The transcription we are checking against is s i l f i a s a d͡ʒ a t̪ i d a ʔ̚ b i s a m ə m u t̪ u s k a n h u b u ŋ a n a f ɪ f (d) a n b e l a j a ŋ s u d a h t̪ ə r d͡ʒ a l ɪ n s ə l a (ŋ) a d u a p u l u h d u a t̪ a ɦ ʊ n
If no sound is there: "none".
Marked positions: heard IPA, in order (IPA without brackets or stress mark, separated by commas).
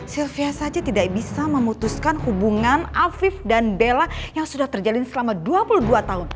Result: d, m